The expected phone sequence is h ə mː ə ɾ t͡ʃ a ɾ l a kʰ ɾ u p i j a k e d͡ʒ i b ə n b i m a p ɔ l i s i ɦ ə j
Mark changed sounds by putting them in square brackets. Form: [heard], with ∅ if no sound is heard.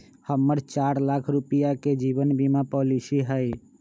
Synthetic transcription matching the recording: h ə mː ə ɾ t͡ʃ a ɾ l a kʰ ɾ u p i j a k e d͡ʒ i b ə n b i m a p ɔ l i s i ɦ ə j